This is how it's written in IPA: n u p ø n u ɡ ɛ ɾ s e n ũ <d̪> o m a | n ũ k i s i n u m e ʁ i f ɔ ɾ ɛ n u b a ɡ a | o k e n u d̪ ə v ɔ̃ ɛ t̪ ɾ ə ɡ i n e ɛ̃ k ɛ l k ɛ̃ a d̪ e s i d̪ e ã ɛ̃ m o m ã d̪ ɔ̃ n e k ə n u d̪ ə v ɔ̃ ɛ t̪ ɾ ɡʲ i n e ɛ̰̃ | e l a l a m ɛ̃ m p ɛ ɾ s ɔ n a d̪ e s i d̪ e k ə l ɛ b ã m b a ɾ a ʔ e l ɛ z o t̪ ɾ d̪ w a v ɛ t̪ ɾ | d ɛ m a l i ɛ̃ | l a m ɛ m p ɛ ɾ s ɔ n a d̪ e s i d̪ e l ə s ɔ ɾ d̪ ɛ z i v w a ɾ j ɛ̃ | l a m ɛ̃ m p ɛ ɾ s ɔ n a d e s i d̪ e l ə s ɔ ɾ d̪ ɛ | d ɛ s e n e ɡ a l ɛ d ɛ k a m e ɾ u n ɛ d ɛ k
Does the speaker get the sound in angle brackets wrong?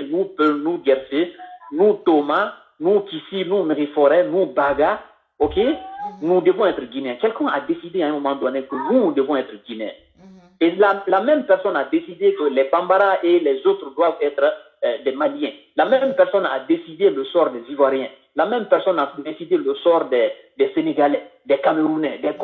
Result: yes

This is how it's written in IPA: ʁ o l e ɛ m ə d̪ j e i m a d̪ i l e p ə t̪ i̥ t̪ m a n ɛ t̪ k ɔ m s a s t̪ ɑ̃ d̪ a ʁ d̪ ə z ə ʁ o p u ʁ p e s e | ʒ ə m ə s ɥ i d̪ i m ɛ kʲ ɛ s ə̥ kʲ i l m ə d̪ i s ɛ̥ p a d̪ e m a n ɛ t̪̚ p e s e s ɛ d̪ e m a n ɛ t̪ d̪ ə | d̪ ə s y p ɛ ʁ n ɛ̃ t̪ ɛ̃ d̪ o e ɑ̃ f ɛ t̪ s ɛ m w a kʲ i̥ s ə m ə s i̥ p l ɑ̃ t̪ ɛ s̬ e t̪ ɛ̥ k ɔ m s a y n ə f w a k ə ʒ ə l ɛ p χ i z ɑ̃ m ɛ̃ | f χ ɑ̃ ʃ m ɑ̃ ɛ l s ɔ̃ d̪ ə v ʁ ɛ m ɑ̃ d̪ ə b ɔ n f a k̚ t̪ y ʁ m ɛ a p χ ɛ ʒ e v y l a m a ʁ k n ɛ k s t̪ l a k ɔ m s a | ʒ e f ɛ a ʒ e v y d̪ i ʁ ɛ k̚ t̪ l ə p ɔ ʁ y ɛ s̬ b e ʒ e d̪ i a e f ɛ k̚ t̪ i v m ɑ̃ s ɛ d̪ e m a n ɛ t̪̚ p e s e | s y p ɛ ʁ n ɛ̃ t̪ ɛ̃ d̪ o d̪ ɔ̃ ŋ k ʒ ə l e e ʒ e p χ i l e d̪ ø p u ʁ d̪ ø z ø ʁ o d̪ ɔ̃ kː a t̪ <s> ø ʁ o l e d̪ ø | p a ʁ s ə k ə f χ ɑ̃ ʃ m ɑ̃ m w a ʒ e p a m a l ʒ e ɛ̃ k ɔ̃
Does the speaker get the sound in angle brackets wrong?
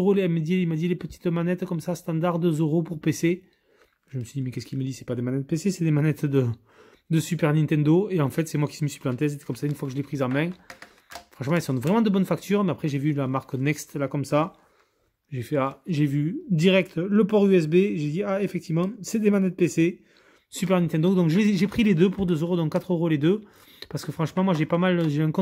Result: yes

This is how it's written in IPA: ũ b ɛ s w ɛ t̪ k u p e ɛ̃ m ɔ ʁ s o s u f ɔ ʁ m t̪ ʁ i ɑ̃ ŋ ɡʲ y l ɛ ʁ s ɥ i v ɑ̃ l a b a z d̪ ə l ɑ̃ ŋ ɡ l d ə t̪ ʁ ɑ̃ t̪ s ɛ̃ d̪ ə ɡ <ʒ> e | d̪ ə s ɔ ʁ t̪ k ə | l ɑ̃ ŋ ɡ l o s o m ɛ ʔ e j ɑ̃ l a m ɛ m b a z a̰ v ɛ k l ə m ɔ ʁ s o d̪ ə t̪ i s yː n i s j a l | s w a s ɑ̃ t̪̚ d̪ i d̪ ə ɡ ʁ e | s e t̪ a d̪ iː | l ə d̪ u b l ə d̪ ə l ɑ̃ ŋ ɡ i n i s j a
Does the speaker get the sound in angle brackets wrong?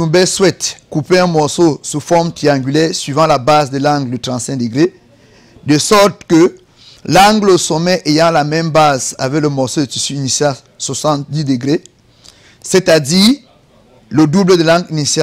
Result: yes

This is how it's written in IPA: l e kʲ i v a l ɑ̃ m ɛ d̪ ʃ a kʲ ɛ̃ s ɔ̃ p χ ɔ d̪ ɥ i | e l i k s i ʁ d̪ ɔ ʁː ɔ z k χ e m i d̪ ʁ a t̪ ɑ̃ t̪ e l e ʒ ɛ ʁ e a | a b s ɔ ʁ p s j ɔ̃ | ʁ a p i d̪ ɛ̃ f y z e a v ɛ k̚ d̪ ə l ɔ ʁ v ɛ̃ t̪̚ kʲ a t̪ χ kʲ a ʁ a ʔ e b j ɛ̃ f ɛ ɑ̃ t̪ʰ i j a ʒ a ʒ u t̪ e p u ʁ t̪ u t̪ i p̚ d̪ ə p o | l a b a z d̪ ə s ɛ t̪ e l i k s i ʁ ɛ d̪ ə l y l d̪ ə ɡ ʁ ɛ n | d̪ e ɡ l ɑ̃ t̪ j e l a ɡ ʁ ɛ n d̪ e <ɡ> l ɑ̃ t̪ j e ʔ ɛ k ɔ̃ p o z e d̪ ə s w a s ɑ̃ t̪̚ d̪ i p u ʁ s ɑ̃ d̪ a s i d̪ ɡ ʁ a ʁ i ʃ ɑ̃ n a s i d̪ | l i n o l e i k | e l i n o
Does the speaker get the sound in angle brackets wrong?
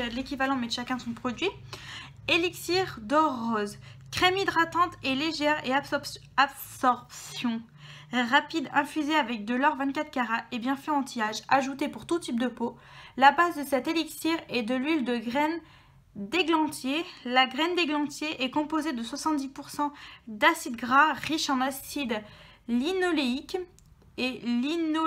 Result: no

